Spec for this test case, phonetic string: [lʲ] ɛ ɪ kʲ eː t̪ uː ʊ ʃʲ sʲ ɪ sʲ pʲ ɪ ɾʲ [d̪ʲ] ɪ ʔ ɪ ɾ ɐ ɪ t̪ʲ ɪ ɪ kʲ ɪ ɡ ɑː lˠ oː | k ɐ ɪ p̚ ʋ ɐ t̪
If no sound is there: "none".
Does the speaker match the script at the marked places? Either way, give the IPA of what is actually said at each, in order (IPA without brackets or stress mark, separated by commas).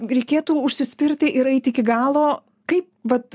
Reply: ɾʲ, t̪ʲ